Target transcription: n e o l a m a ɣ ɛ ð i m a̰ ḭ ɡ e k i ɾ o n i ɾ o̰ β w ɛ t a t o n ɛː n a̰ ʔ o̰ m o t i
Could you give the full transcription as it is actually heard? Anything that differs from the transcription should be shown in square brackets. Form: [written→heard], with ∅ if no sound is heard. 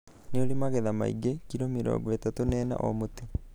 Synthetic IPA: n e o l [a→i] m a ɣ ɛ ð [i→a] m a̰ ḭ ɡ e k i ɾ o [n→m] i ɾ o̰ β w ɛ t a t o n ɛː n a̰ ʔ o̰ m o t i